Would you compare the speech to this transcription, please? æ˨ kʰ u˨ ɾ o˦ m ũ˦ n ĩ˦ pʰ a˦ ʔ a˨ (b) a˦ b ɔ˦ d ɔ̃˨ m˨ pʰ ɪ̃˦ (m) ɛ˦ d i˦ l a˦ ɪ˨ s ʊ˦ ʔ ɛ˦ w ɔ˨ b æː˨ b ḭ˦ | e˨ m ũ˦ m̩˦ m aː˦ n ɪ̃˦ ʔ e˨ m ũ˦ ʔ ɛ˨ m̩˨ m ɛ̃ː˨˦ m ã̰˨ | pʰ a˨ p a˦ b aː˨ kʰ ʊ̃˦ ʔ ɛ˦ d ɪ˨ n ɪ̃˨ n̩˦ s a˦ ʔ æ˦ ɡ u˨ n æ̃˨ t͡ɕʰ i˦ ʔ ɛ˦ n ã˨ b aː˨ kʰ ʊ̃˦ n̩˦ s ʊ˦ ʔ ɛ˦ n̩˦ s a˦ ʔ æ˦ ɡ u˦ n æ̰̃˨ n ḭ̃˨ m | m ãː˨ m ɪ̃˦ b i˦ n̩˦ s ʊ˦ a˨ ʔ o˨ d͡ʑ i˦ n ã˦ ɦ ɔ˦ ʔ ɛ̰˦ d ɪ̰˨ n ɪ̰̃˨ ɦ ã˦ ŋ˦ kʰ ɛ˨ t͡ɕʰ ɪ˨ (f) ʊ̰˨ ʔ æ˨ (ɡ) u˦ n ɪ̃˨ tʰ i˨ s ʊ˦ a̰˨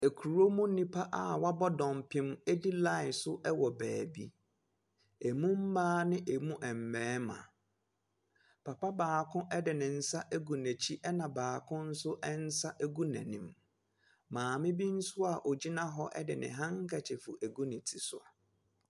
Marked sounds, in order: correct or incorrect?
incorrect, correct, correct, correct

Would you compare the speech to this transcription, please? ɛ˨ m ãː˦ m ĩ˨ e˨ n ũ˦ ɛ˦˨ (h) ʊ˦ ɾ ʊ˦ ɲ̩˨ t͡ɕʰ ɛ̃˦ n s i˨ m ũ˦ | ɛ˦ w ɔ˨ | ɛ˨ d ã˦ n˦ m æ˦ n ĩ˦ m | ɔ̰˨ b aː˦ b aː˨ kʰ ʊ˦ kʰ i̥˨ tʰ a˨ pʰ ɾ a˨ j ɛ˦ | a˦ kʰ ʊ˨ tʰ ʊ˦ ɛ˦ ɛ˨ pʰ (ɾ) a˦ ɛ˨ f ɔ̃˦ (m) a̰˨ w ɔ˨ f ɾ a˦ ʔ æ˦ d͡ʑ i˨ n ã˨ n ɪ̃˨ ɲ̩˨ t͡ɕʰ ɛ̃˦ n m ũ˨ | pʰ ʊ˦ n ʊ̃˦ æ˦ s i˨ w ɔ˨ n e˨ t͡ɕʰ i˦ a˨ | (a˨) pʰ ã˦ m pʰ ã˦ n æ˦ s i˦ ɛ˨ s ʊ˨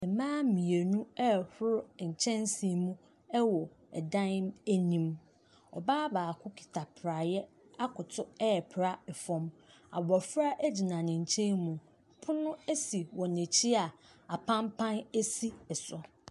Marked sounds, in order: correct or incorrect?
correct, correct, correct, correct

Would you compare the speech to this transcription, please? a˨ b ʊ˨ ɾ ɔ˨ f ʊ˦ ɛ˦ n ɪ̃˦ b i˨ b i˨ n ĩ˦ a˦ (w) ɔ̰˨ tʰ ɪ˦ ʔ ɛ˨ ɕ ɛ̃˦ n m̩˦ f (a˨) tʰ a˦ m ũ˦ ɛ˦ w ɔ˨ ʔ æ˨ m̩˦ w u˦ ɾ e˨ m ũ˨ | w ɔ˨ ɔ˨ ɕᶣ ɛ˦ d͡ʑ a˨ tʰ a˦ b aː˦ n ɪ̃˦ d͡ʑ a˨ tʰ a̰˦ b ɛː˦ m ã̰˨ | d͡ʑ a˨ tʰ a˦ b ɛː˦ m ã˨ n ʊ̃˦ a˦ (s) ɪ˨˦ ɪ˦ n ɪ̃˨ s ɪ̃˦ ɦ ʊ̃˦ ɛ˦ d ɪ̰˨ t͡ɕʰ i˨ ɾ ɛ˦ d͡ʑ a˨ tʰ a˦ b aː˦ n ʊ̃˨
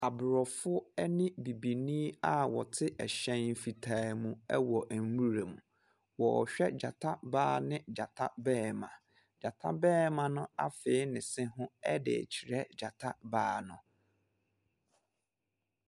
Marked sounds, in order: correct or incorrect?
correct, incorrect, incorrect

